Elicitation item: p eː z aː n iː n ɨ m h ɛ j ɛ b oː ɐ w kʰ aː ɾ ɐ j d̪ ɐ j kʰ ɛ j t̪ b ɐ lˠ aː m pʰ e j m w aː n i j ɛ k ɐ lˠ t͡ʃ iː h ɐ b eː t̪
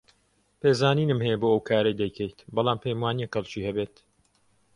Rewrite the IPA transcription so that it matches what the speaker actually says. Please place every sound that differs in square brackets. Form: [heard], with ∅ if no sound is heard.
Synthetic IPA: p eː z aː n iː n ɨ m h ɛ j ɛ b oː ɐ w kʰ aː ɾ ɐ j d̪ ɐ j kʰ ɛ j t̪ b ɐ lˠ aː m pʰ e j m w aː n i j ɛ k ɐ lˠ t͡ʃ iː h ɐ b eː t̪

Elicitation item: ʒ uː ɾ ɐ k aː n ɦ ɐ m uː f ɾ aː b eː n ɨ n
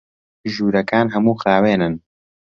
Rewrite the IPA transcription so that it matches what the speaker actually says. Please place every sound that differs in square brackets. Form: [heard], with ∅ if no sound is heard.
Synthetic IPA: ʒ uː ɾ ɐ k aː n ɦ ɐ m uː [x] ɾ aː [w] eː n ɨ n

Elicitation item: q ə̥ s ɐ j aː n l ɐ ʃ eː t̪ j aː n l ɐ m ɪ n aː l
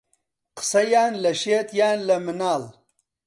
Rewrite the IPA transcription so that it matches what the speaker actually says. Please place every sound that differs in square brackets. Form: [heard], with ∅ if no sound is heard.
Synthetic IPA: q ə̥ s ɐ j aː n l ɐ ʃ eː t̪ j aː n l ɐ m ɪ n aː l

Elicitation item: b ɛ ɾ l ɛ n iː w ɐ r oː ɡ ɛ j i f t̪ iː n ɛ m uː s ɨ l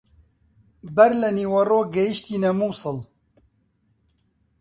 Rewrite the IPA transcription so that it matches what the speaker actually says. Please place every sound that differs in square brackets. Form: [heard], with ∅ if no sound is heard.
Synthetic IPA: b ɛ ɾ l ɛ n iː w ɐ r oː ɡ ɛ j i [ʃ] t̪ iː n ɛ m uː s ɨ l

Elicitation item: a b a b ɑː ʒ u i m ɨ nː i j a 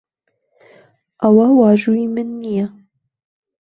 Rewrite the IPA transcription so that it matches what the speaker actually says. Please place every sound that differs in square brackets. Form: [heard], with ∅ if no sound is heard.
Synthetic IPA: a [w] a [w] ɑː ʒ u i m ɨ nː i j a

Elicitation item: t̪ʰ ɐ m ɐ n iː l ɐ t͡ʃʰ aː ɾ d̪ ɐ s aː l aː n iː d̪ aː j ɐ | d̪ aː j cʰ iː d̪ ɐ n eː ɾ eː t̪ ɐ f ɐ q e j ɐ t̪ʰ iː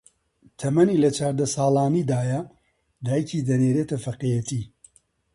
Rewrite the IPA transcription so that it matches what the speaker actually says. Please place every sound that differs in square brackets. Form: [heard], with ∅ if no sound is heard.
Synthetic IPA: t̪ʰ ɐ m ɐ n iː l ɐ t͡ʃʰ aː ɾ d̪ ɐ s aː l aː n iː d̪ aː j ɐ | d̪ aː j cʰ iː d̪ ɐ n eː ɾ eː t̪ ɐ f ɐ q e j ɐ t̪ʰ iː

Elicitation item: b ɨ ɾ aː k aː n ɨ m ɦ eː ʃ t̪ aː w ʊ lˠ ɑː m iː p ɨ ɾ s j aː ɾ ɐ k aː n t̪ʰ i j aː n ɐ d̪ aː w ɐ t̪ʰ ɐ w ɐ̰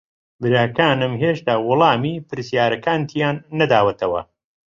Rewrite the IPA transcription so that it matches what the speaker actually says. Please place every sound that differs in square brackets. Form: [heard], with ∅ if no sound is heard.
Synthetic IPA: b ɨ ɾ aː k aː n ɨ m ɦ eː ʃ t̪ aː w ʊ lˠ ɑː m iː p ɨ ɾ s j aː ɾ ɐ k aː n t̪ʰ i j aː [nː] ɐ d̪ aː w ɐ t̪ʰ ɐ w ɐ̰

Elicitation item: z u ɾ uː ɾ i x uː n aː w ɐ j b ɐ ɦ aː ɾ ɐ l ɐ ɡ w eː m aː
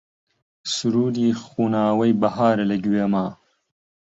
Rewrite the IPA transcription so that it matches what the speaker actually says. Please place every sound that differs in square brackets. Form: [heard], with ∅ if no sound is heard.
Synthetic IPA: [s] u ɾ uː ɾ i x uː n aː w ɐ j b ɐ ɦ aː ɾ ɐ l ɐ ɡ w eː m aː

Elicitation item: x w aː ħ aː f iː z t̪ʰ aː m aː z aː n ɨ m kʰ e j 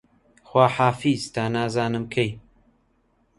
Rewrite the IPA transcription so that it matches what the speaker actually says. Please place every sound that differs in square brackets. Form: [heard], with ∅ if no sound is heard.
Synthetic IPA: x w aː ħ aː f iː z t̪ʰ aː [n] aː z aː n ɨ m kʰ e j

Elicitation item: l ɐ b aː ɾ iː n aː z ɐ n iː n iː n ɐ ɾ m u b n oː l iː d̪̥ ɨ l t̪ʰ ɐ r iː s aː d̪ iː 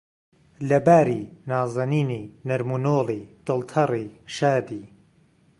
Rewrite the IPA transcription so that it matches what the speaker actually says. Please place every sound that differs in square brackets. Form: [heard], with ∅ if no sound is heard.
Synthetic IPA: l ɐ b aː ɾ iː n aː z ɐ n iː n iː n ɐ ɾ m u [∅] n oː l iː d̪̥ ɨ l t̪ʰ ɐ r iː [ʃ] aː d̪ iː

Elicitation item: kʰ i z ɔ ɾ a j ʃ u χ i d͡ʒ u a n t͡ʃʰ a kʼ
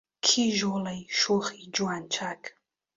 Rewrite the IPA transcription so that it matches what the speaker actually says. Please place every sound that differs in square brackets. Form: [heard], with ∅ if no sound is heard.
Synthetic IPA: kʰ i [ʒ] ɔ [l] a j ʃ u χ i d͡ʒ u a n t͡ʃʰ a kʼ

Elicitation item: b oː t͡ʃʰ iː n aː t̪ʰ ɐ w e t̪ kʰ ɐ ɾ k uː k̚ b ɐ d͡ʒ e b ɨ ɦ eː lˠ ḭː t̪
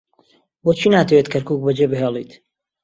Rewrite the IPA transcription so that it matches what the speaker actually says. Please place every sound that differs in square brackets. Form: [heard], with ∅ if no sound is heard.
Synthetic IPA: b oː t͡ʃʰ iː n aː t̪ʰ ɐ w e t̪ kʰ ɐ ɾ k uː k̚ b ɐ d͡ʒ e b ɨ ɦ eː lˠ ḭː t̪

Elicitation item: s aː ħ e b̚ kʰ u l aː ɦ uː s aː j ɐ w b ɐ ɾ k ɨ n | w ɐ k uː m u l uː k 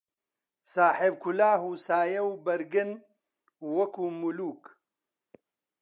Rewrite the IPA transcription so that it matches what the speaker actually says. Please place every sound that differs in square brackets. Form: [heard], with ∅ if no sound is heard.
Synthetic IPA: s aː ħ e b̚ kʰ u l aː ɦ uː s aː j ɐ w b ɐ ɾ [ɡ] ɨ n | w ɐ k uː m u l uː k

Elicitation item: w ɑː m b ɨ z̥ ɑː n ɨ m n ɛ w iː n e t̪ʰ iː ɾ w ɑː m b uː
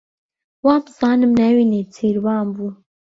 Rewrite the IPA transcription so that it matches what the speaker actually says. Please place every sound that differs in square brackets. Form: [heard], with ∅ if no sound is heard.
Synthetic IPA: w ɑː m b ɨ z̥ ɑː n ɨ m n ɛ w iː n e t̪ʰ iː ɾ w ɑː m b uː

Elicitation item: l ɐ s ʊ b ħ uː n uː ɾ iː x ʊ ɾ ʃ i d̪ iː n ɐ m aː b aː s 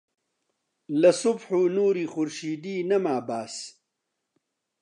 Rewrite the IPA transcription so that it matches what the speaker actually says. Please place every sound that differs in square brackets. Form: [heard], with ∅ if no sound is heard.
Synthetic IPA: l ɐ s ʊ b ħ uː n uː ɾ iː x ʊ ɾ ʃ [iː] d̪ iː n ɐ m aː b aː s

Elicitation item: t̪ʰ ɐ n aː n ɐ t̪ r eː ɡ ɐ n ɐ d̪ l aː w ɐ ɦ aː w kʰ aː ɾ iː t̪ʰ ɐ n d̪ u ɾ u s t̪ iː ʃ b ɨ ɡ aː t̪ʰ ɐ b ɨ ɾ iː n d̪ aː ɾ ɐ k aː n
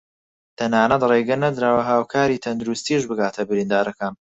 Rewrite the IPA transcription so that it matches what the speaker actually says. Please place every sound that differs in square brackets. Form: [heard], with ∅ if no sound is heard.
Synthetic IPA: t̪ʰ ɐ n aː n ɐ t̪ r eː ɡ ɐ n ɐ d̪ [ɾ] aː w ɐ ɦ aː w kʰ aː ɾ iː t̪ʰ ɐ n d̪ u ɾ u s t̪ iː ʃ b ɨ ɡ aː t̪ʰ ɐ b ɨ ɾ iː n d̪ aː ɾ ɐ k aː n

